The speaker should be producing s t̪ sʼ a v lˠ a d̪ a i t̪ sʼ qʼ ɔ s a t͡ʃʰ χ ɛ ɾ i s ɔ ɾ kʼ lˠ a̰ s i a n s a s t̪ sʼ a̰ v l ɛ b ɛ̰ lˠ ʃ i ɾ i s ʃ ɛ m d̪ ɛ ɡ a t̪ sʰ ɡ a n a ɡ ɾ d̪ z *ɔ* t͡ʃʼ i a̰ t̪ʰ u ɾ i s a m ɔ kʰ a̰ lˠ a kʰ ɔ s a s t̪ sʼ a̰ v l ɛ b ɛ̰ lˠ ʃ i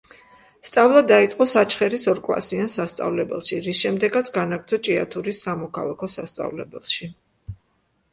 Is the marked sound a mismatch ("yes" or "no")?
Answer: no